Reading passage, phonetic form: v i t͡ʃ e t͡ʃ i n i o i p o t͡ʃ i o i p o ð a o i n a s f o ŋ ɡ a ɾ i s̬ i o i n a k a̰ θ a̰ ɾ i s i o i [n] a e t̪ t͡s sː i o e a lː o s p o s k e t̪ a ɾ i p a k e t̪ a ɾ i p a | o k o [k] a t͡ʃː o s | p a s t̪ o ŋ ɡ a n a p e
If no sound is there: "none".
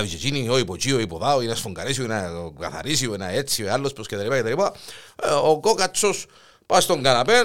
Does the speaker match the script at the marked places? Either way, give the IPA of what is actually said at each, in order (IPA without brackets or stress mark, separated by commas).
n, k